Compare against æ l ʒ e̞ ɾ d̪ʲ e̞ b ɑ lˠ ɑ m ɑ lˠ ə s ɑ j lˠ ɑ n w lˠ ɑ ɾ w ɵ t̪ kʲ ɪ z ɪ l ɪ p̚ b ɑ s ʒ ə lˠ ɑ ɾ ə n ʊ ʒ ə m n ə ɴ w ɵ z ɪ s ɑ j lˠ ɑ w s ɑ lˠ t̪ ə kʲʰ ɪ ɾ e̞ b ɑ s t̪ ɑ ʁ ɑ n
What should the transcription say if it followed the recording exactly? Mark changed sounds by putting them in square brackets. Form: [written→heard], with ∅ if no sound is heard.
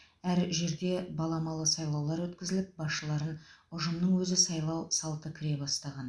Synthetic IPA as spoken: æ [l→ɾ] ʒ e̞ ɾ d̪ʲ e̞ b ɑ lˠ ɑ m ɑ lˠ ə s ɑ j lˠ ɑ [n→∅] w lˠ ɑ ɾ w ɵ t̪ kʲ ɪ z ɪ l ɪ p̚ b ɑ s [ʒ→ʃ] ə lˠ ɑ ɾ ə n ʊ ʒ ə m n ə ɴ w ɵ z ɪ s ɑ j lˠ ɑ w s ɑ lˠ t̪ ə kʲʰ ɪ ɾ e̞ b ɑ s t̪ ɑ ʁ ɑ n